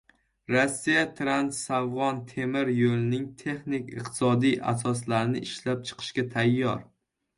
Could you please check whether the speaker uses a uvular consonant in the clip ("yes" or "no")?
yes